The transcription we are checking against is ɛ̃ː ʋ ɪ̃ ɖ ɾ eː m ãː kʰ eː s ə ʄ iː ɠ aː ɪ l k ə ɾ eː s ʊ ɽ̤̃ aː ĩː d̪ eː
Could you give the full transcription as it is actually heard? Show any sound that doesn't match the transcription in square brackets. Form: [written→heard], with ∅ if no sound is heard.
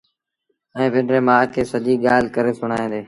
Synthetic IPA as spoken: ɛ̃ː ʋ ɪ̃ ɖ ɾ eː m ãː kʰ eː s ə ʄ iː ɠ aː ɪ l k ə ɾ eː s ʊ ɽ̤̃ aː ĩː d̪ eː